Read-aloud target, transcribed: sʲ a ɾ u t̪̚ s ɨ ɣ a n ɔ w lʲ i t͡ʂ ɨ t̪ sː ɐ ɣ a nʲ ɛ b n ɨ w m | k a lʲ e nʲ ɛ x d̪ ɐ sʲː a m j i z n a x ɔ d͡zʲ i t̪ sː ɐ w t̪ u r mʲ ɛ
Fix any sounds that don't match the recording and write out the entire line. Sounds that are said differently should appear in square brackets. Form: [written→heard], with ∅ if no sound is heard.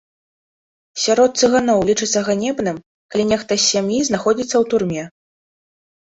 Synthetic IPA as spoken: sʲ a ɾ [u→ɔ] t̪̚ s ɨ ɣ a n ɔ w lʲ i t͡ʂ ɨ t̪ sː ɐ ɣ a nʲ ɛ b n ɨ [w→∅] m | k a lʲ [e→i] nʲ ɛ x [d̪→t̪] ɐ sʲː a m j i z n a x ɔ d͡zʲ i t̪ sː ɐ w t̪ u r mʲ ɛ